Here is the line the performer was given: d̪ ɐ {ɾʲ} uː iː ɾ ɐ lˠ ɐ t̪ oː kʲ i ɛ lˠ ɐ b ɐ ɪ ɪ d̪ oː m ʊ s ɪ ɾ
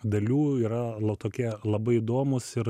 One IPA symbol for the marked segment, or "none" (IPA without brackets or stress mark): lʲ